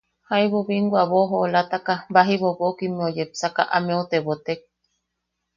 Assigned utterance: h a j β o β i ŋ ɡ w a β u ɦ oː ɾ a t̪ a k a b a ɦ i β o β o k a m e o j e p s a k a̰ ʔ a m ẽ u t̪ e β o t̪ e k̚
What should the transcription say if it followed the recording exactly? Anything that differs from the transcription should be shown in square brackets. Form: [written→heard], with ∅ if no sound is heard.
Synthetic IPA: h a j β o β i ŋ ɡ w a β [u→o] ɦ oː [ɾ→l] a t̪ a k a b a ɦ i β o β o k [a→i] m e o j e p s a k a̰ ʔ a m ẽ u t̪ e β o t̪ e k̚